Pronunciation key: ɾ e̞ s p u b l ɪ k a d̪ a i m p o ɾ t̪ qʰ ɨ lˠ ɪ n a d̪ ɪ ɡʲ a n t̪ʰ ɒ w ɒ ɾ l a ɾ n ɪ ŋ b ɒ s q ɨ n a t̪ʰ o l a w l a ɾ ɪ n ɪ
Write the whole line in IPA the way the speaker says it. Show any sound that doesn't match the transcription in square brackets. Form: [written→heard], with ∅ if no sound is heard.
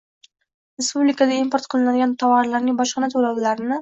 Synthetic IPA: ɾ e̞ s p u b l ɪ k a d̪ a i m p o ɾ t̪ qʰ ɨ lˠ ɪ n a d̪ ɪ ɡʲ a n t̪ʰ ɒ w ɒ ɾ l a ɾ n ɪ ŋ b ɒ [s→ʃ] q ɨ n a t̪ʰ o l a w l a ɾ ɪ n ɪ